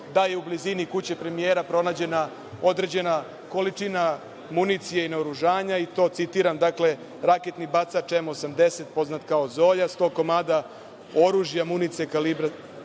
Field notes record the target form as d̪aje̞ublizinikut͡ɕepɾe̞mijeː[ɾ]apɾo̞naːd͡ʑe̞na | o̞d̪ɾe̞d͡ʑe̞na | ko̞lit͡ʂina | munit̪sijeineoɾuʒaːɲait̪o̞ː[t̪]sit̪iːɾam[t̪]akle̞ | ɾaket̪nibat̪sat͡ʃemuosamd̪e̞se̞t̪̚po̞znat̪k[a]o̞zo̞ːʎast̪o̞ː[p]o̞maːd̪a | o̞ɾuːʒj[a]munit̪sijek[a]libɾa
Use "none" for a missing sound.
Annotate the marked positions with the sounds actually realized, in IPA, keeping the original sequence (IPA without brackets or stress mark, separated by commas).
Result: ɾ, t̪, d̪, a, k, a, a